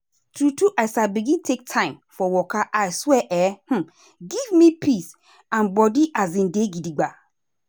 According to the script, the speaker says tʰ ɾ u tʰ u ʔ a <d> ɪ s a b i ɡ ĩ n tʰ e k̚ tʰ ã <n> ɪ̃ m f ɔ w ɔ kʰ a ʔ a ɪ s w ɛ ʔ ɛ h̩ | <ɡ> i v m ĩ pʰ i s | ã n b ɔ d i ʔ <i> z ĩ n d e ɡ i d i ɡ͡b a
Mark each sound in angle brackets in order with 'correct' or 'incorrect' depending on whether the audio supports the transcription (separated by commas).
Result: incorrect, incorrect, correct, incorrect